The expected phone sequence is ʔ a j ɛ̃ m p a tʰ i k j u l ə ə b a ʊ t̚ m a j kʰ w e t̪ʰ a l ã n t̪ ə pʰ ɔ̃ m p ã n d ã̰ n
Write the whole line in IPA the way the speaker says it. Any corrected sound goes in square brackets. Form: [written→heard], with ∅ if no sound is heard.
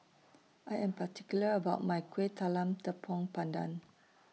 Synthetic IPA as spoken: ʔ a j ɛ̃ m p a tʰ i k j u l ə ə b a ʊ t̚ m a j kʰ w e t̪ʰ a l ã [n→m] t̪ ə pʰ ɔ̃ [m→ŋ] p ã n d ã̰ n